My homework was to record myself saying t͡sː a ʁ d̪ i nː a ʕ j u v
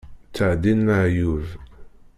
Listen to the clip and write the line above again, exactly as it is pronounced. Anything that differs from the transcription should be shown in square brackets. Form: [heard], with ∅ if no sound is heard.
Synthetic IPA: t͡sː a [ʕ] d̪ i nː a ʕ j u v